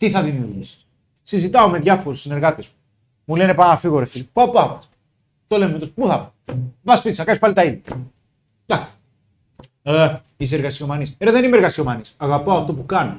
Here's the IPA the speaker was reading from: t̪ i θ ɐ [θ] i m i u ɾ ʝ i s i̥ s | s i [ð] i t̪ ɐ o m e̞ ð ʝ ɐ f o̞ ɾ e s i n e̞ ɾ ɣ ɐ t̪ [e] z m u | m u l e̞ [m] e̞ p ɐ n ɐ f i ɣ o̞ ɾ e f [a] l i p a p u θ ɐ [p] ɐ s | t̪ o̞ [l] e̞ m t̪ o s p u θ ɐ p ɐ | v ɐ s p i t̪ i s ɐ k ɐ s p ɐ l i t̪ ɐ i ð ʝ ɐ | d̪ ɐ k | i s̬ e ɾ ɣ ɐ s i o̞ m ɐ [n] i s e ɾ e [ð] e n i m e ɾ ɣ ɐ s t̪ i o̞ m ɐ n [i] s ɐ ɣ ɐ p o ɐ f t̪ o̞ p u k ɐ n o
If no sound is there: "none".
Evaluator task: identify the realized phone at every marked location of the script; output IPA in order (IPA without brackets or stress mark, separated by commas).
ð, z, e, n, i, p, l, n, ð, i